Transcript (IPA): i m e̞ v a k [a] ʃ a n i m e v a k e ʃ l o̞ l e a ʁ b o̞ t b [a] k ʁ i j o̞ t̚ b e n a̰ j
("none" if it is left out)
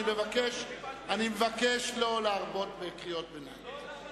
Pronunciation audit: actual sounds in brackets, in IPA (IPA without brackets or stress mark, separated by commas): e, e